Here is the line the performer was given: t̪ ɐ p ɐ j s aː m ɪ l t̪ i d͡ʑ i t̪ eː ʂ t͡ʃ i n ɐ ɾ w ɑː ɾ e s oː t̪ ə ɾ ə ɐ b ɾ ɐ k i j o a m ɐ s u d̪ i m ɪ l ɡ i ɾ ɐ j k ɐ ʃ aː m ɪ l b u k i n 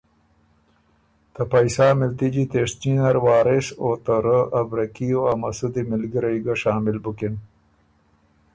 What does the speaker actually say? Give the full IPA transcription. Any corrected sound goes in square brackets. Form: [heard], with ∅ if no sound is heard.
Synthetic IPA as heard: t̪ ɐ p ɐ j s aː m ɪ l t̪ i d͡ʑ i t̪ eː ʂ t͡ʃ i n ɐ ɾ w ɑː ɾ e s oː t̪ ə ɾ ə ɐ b ɾ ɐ k i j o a m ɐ s u d̪ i m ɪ l ɡ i ɾ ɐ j [ɡ] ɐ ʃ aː m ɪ l b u k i n